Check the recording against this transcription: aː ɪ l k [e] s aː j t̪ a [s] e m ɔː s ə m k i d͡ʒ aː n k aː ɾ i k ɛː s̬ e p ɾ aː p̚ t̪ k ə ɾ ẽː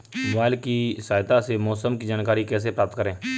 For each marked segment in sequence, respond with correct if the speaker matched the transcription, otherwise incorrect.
incorrect: i, correct

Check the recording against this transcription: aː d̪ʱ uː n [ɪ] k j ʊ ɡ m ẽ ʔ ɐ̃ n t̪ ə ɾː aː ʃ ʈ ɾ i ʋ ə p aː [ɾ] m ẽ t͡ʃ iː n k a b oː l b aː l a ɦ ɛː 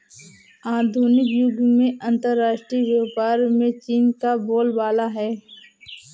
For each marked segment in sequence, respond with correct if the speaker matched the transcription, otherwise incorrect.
correct, correct

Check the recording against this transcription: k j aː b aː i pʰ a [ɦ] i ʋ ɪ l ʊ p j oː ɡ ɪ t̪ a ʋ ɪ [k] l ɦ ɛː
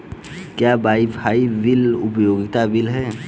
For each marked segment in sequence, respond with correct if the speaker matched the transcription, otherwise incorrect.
incorrect: none, incorrect: none

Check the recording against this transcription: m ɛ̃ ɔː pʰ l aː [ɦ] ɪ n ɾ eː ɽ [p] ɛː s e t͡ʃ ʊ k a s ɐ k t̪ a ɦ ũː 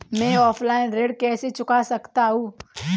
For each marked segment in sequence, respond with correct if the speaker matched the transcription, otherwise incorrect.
incorrect: none, incorrect: k

